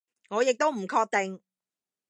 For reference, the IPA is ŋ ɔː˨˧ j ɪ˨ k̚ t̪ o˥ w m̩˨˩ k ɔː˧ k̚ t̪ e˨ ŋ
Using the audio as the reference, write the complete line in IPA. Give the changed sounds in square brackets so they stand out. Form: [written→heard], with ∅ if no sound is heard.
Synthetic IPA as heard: ŋ ɔː˨˧ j ɪ˨ k̚ t̪ o˥ w m̩˨˩ [k→kʰ] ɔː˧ k̚ t̪ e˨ ŋ